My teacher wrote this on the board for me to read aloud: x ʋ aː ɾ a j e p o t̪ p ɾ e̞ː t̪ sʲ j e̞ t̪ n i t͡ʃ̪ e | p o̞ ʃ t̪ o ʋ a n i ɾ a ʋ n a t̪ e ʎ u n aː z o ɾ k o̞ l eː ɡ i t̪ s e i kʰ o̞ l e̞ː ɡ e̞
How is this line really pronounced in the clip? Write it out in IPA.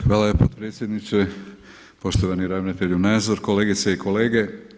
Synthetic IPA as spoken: x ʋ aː l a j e p o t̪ p ɾ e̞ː t̪ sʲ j e̞ d̪ n i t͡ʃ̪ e | p o̞ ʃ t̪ o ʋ a n i ɾ a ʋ n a t̪ e ʎ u n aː z o ɾ k o̞ l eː ɡ i t̪ s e i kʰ o̞ l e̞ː ɡ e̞